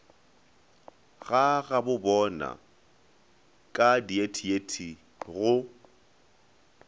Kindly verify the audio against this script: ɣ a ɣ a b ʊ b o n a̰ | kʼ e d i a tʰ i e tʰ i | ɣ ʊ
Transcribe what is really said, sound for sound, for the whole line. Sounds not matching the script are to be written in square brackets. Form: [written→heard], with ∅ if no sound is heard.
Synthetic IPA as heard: ɣ a ɣ a b ʊ b [o→ɔ] n a̰ | kʼ [e→a] d i [a→e] tʰ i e tʰ i | ɣ ʊ